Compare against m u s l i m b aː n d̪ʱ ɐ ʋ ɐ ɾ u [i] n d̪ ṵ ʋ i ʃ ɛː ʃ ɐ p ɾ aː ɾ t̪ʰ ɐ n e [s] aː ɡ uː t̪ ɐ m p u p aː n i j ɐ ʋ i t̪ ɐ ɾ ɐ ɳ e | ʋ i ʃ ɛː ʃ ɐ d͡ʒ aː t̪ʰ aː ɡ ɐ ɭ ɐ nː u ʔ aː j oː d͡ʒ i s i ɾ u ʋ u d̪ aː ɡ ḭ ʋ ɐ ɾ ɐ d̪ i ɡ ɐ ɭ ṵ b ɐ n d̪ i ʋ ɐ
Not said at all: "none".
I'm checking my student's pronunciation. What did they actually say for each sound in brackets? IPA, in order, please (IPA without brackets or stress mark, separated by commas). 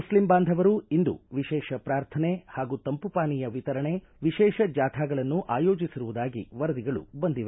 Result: i, h